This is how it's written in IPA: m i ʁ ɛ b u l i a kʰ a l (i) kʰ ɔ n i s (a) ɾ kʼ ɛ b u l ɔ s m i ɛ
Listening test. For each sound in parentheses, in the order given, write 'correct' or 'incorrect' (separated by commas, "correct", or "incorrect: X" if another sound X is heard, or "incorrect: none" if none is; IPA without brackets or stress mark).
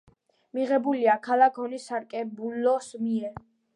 incorrect: a, correct